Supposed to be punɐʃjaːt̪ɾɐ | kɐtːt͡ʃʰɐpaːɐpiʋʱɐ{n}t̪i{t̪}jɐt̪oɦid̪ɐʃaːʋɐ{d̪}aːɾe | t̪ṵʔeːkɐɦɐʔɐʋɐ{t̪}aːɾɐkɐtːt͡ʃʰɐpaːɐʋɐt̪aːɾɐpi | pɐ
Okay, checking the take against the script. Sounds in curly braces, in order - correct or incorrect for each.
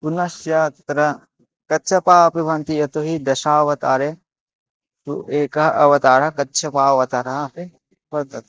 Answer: correct, incorrect, incorrect, correct

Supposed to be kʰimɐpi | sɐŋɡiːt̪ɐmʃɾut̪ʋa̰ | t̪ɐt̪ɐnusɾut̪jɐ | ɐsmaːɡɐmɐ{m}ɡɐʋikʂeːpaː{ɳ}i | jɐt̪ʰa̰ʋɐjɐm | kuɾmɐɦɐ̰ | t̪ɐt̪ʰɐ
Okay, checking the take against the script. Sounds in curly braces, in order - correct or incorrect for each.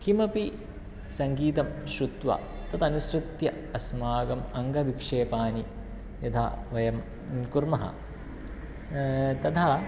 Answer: incorrect, incorrect

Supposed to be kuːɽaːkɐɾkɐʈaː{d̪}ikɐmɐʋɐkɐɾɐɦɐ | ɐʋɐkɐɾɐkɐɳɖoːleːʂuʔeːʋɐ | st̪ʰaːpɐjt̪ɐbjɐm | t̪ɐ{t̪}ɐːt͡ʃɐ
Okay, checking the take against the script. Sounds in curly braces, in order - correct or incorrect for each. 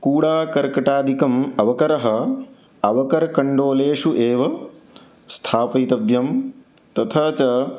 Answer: correct, incorrect

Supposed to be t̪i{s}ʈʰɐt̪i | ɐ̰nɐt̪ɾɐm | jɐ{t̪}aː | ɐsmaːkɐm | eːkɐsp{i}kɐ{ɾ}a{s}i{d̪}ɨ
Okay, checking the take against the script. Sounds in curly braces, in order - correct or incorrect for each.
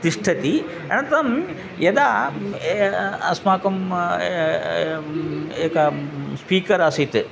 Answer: incorrect, incorrect, incorrect, correct, correct, incorrect

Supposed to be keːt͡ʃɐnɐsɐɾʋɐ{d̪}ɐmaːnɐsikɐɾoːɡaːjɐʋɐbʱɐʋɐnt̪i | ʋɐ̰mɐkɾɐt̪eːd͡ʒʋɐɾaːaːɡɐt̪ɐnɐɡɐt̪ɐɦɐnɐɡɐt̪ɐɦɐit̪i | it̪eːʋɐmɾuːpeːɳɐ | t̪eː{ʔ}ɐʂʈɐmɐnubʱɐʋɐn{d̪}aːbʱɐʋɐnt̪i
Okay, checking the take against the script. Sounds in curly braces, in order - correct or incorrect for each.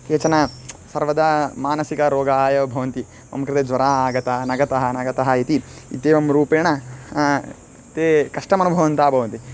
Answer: correct, incorrect, incorrect

